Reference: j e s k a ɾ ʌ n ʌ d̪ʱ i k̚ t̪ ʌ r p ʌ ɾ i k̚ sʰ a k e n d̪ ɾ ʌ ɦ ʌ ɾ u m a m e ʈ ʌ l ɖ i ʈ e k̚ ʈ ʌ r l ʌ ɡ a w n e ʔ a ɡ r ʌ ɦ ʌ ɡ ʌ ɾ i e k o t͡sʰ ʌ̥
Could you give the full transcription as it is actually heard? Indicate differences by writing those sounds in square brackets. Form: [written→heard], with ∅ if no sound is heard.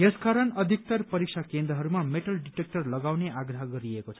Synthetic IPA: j e s k a ɾ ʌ n ʌ d̪ʱ i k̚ t̪ ʌ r p ʌ ɾ i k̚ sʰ a k e n d̪ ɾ ʌ ɦ ʌ ɾ u m a m e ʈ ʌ l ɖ i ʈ e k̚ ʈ ʌ r l ʌ ɡ a w n e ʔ a ɡ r ʌ ɦ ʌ ɡ ʌ ɾ i e k o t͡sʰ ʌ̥